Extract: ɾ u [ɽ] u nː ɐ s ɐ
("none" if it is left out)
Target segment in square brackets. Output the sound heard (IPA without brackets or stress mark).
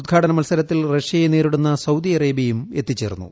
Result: ɽ